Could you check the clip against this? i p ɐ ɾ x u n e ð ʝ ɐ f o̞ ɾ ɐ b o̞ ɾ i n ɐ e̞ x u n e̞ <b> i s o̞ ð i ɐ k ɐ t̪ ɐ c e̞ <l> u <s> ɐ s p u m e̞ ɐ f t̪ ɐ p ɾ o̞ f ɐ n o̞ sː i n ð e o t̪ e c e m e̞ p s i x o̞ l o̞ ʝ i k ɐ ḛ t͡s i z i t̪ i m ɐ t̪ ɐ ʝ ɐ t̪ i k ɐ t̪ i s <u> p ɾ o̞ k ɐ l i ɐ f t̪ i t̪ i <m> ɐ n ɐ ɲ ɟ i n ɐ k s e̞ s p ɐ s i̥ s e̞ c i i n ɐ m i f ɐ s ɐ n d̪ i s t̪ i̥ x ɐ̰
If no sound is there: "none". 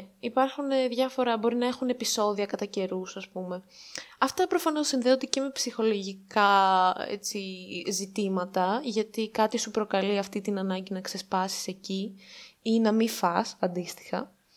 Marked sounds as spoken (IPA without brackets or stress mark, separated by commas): p, ɾ, s, u, n